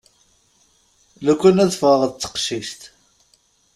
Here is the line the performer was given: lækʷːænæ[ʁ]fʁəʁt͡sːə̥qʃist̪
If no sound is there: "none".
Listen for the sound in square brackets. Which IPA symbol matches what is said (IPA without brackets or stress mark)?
ð